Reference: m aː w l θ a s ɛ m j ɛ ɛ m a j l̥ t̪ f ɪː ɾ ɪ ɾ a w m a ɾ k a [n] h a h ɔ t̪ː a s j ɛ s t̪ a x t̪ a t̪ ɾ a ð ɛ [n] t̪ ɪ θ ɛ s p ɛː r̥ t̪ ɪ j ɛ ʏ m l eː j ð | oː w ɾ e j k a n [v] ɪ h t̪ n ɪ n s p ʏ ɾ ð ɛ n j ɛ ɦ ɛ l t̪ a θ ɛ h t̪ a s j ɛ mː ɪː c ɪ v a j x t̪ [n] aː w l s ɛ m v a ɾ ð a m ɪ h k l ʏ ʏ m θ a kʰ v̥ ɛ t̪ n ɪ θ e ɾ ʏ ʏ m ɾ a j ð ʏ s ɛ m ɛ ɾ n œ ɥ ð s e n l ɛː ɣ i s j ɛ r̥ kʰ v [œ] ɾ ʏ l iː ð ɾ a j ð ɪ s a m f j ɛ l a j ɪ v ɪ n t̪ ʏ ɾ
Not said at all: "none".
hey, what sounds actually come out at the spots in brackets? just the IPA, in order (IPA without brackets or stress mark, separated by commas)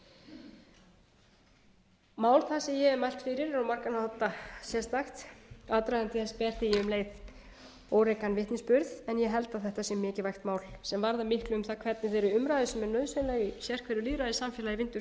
n, n, v, m, ɛ